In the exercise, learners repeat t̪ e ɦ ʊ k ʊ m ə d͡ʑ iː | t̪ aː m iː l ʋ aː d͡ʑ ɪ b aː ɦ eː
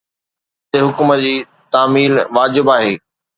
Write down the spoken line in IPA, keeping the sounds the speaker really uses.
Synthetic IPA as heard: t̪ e ɦ ʊ k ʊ m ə d͡ʑ iː | t̪ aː m iː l ʋ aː d͡ʑ ɪ b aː ɦ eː